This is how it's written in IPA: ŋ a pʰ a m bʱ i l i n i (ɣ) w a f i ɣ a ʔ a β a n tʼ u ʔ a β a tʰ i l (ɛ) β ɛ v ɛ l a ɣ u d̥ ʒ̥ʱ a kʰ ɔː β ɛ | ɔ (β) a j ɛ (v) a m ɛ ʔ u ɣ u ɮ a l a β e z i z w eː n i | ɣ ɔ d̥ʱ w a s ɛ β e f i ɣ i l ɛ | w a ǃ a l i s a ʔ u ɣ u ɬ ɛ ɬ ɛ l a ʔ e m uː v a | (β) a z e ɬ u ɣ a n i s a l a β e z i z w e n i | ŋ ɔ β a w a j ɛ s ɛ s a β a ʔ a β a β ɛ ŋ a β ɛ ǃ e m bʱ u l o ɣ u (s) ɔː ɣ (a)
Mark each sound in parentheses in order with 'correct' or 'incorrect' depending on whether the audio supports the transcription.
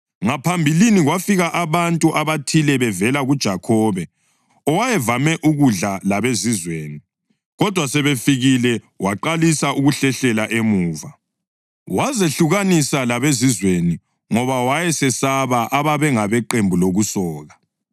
correct, correct, incorrect: w, correct, incorrect: w, correct, correct

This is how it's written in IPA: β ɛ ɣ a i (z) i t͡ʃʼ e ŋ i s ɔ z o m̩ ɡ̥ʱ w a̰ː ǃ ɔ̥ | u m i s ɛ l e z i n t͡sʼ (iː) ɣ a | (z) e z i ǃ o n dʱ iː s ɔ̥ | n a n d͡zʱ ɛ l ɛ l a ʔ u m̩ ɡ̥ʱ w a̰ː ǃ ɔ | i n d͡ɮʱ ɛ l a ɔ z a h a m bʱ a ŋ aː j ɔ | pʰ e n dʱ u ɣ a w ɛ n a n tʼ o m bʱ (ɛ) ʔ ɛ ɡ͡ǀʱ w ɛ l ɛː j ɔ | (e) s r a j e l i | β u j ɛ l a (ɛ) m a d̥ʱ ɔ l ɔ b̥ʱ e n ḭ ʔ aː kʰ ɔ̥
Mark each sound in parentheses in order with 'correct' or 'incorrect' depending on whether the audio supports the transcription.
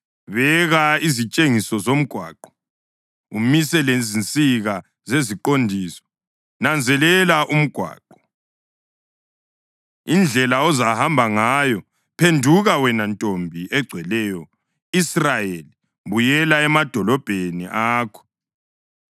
correct, incorrect: i, correct, incorrect: i, incorrect: i, correct

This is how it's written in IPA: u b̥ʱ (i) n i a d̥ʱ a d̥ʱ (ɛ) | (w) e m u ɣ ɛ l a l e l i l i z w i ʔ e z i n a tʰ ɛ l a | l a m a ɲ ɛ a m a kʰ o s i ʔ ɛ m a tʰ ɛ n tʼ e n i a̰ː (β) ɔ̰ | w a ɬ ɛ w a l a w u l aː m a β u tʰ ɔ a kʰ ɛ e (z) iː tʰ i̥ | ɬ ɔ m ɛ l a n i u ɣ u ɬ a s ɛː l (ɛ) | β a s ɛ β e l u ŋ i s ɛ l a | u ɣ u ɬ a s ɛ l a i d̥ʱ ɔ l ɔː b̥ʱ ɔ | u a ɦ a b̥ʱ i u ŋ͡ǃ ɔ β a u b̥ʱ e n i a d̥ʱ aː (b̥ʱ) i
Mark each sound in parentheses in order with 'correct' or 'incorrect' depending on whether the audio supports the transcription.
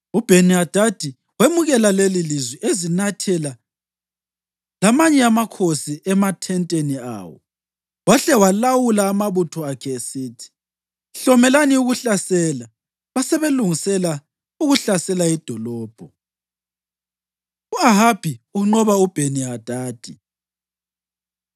incorrect: e, incorrect: i, correct, incorrect: w, incorrect: s, incorrect: a, incorrect: d̥ʱ

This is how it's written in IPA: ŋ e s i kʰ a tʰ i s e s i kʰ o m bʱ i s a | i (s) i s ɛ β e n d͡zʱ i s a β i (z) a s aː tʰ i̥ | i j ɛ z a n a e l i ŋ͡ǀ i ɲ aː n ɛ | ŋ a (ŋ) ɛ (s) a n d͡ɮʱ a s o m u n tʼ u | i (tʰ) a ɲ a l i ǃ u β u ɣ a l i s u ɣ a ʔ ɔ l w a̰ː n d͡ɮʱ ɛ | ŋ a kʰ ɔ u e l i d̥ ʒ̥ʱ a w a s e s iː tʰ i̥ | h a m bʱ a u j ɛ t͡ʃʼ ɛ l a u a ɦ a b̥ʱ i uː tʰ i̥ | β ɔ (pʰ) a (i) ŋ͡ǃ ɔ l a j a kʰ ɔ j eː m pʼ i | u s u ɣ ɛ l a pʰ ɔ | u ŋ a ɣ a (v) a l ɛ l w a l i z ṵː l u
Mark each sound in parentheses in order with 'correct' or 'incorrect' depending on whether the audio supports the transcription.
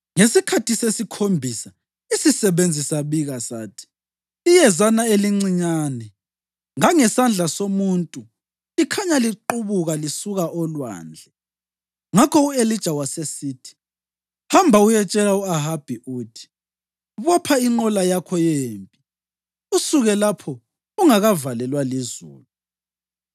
correct, incorrect: ɣ, correct, correct, incorrect: kʰ, correct, correct, correct

